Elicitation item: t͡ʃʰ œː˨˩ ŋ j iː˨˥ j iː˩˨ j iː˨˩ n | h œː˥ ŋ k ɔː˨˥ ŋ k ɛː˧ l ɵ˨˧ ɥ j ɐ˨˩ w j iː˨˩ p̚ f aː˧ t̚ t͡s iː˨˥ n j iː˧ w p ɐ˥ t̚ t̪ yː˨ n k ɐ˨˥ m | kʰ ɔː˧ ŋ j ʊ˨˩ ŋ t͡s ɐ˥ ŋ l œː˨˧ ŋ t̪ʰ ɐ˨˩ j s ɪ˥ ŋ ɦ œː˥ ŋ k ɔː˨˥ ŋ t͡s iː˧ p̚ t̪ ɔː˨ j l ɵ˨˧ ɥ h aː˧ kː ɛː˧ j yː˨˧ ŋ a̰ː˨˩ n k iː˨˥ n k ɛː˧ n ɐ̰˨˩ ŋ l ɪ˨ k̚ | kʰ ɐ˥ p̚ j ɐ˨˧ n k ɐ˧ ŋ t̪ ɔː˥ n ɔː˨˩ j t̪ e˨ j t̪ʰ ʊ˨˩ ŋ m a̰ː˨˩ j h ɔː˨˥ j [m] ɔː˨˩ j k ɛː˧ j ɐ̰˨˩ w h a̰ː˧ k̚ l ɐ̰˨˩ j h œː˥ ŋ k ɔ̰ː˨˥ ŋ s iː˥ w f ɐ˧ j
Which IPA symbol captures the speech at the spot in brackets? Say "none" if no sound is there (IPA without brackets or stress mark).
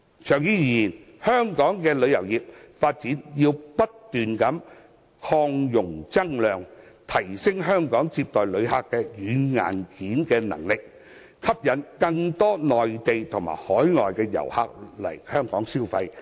ŋ